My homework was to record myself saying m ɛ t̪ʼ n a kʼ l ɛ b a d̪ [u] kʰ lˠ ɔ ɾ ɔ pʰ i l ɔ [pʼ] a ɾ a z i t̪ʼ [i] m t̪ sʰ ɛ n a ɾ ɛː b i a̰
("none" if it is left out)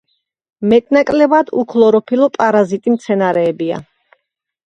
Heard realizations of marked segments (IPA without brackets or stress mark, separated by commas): u, pʼ, i